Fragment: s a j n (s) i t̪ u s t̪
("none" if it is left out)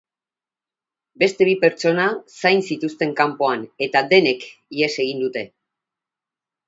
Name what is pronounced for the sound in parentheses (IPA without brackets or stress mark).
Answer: s